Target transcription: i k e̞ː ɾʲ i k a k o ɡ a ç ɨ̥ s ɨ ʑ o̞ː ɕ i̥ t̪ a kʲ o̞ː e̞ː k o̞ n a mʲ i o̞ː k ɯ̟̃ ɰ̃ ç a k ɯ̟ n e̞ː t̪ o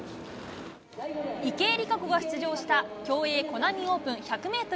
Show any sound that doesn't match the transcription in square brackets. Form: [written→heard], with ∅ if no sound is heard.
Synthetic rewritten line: i k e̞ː ɾʲ i k a k o ɡ a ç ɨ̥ [s→t͡s] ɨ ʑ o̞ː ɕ i̥ t̪ a kʲ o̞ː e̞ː k o̞ n a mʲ i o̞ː [k→p] ɯ̟̃ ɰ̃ ç a k ɯ̟ [n→m] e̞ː t̪ o